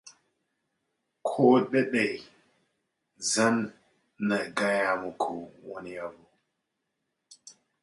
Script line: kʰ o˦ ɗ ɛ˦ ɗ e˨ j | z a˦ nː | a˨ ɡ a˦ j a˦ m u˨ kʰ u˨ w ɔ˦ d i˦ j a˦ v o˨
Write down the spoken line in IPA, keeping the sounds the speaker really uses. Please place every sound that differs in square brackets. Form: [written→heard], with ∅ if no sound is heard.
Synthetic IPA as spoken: kʰ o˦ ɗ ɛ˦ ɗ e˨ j | z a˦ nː | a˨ ɡ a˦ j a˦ m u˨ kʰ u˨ w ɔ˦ [d→n] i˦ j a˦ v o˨